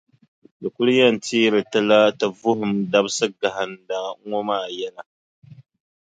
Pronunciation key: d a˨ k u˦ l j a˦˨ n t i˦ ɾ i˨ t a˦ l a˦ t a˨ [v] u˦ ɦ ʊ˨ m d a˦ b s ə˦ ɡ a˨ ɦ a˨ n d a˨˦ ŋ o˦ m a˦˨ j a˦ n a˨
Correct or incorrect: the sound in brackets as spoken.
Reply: correct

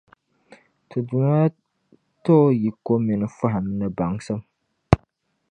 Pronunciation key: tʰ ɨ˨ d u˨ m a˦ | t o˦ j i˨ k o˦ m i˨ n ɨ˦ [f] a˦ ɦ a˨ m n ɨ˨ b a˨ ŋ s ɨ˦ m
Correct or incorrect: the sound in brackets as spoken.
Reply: correct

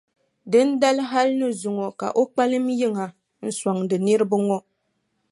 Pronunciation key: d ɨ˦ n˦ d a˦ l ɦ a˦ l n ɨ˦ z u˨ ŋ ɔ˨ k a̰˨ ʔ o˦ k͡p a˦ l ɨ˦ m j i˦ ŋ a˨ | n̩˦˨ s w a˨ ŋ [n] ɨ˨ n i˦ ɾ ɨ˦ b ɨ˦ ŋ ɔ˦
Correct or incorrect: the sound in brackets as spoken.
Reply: incorrect: d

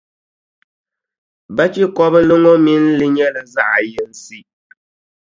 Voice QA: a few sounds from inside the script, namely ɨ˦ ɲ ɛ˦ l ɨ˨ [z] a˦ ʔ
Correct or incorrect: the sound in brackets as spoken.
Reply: correct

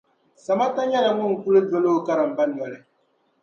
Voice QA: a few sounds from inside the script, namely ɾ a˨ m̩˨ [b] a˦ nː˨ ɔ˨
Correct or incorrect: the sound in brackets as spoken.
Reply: correct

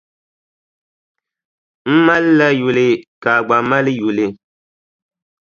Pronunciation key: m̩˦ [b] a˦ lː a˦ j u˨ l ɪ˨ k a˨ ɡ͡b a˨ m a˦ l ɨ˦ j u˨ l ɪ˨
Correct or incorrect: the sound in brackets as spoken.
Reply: incorrect: m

